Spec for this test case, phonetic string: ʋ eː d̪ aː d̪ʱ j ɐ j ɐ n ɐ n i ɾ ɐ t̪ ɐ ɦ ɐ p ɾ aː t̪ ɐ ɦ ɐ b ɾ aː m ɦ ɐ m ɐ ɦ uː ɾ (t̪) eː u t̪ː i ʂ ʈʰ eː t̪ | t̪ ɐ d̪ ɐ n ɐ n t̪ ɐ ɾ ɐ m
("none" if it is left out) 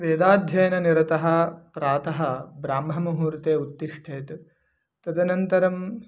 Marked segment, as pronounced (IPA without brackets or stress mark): t̪